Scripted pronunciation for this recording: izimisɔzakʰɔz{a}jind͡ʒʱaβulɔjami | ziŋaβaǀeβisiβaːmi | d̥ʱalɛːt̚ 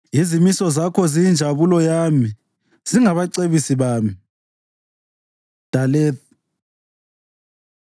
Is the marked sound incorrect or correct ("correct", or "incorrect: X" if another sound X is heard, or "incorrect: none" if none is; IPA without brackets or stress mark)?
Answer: incorrect: i